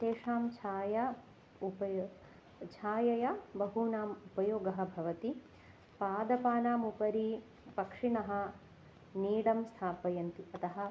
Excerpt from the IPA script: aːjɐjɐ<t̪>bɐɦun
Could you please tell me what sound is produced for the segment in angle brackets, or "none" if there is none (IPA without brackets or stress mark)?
none